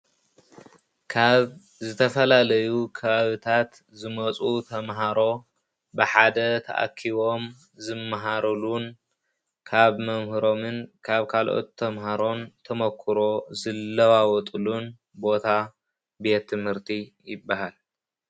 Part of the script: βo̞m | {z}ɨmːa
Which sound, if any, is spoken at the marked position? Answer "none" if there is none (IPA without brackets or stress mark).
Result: z